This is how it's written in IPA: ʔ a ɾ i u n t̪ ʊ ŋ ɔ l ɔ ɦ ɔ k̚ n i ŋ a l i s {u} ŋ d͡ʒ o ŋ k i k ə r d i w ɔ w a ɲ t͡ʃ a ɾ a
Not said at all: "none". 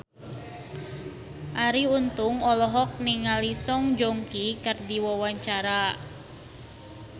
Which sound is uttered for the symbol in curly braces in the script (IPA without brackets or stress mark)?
ɔ